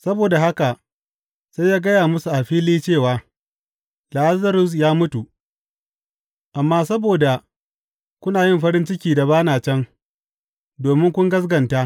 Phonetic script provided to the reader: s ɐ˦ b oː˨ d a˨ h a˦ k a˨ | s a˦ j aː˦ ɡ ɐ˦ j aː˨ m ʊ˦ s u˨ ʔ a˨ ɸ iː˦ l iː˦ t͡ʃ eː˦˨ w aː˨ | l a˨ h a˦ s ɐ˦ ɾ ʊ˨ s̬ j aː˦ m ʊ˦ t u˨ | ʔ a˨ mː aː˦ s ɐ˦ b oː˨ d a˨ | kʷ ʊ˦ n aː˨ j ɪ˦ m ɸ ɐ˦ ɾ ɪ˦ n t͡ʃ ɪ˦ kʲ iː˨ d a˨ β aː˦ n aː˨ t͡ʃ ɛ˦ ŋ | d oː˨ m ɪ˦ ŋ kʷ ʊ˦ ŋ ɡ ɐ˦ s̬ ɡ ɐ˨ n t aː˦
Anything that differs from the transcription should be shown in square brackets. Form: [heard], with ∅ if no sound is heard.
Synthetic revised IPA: s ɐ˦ b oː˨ d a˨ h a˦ k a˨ | s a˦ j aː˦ ɡ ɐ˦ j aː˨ m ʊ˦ s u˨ ʔ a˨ ɸ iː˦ l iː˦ t͡ʃ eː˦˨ w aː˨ | l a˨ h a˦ [z] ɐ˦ ɾ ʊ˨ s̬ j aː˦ m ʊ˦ t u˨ | ʔ a˨ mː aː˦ s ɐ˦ b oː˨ d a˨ | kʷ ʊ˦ n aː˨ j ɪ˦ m ɸ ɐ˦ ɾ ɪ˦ n t͡ʃ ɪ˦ kʲ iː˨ d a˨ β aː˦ n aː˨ t͡ʃ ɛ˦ ŋ | d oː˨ m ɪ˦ ŋ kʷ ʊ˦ ŋ ɡ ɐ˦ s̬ ɡ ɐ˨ n t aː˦